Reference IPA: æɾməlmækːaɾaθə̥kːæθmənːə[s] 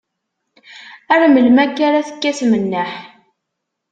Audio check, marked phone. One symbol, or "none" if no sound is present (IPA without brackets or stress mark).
ħ